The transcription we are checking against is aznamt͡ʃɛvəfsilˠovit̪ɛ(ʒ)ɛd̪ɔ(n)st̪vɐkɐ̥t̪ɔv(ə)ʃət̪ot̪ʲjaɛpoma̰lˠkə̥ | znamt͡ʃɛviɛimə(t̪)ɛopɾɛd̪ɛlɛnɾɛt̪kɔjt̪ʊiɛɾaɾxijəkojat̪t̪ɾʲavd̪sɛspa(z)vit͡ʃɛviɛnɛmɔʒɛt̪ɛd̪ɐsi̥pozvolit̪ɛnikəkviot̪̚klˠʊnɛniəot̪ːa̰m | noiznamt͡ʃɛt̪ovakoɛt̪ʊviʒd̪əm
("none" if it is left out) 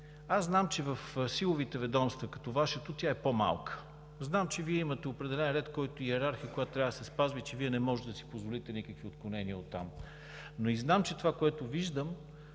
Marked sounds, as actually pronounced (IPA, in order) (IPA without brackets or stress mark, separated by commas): v, m, a, t̪, z